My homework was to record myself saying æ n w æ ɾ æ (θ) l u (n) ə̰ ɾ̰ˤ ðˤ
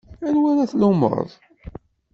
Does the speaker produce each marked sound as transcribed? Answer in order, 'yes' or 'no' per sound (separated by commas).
yes, no